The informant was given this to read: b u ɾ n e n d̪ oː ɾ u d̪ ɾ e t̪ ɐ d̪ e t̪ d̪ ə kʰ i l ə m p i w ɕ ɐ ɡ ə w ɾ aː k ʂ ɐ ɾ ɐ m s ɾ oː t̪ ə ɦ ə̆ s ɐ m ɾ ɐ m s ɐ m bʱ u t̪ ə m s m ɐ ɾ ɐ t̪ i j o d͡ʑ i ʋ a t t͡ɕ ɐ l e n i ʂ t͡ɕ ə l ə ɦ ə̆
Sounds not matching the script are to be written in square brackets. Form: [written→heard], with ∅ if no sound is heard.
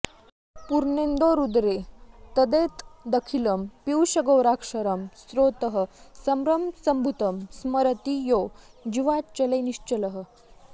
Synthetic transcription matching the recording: [b→p] u ɾ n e n d̪ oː ɾ u d̪ ɾ e t̪ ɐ d̪ e t̪ d̪ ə kʰ i l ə m p i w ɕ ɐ ɡ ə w ɾ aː k ʂ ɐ ɾ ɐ m s ɾ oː t̪ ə ɦ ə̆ s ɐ m ɾ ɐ m s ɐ m bʱ u t̪ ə m s m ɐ ɾ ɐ t̪ i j o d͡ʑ i ʋ a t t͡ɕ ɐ l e n i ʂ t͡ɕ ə l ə ɦ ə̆